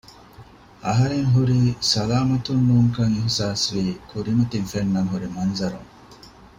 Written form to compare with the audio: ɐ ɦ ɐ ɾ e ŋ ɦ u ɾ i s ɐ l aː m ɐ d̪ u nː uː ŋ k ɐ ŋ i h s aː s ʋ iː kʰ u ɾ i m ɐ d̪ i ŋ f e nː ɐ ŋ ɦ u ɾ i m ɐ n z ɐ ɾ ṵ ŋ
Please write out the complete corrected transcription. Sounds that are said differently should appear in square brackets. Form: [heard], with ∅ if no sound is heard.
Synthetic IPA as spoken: ɐ ɦ ɐ ɾ e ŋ ɦ u ɾ i s ɐ l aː m ɐ [t̪] u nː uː ŋ k ɐ ŋ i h s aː s ʋ iː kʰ u ɾ i m ɐ [t̪] i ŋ f e nː ɐ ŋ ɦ u ɾ i m ɐ n z ɐ ɾ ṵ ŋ